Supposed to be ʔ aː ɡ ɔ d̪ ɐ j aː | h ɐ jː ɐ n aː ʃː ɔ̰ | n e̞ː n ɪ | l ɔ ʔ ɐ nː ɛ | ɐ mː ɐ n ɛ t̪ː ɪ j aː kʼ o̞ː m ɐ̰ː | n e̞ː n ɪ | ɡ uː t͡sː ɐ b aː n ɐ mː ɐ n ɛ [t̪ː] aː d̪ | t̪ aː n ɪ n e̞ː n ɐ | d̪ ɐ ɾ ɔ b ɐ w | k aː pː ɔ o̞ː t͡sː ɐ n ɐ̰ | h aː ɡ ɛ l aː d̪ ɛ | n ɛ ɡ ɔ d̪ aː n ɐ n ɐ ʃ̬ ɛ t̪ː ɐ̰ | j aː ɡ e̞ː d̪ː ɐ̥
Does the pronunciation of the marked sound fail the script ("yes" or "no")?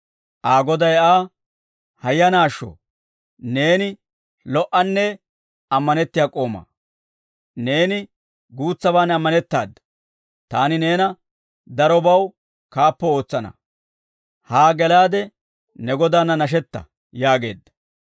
no